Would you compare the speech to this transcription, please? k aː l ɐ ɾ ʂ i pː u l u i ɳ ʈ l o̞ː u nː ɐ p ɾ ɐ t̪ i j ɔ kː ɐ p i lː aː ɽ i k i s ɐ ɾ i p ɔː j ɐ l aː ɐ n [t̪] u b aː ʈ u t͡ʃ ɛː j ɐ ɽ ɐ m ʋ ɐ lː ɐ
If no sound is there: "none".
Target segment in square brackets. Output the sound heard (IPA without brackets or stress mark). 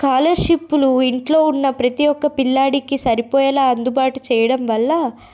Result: d̪